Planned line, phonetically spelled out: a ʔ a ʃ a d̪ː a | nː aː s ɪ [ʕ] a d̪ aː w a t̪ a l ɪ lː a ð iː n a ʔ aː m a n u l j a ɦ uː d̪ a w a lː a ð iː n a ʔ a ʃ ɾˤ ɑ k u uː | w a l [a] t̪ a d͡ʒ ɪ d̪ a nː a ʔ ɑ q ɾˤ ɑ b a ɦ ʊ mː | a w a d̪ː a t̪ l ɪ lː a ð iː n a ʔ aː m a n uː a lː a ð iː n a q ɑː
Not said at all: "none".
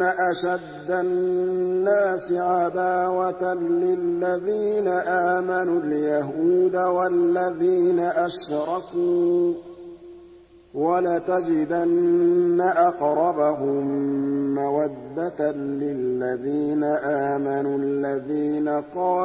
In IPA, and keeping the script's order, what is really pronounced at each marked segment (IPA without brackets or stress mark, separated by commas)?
ʕ, a